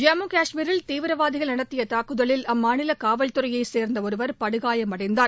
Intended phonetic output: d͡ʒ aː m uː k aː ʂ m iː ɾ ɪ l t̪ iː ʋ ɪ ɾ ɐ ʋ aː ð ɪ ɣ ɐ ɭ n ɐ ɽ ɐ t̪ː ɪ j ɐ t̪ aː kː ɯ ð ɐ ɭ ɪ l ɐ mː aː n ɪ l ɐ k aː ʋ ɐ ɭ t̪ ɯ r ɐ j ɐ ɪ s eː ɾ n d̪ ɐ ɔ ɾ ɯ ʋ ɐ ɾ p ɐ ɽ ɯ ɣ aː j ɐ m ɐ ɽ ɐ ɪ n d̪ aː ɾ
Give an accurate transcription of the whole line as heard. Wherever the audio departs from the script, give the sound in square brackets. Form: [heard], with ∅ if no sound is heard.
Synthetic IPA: d͡ʒ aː m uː k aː ʂ m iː ɾ ɪ l t̪ iː ʋ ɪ ɾ ɐ ʋ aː ð ɪ ɣ ɐ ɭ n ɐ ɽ ɐ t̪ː ɪ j ɐ t̪ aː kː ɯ ð ɐ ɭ ɪ l ɐ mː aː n ɪ l ɐ k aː ʋ ɐ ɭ t̪ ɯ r ɐ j ɐ ɪ s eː ɾ n d̪ ɐ ɔ ɾ ɯ ʋ ɐ ɾ p ɐ ɽ ɯ ɣ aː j ɐ m ɐ ɽ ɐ ɪ n d̪ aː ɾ